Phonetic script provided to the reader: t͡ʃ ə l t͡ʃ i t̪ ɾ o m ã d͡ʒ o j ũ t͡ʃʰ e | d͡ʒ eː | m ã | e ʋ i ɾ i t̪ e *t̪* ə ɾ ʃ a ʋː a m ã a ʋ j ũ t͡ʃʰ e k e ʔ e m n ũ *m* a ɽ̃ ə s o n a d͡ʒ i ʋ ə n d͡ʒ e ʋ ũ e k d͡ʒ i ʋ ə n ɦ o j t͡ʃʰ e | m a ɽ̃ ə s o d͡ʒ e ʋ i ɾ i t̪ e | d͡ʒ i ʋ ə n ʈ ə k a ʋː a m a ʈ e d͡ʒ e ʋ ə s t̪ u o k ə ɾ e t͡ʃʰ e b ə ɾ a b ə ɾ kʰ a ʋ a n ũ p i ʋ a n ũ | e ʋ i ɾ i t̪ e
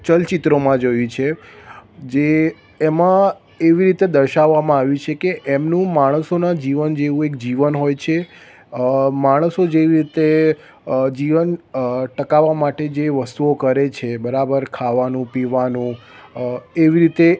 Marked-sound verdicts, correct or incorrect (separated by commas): incorrect, correct